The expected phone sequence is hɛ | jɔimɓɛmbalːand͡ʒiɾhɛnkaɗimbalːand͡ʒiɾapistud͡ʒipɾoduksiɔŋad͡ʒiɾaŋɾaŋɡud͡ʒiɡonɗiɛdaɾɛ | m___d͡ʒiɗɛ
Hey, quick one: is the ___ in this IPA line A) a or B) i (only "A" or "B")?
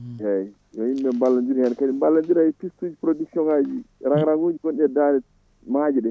A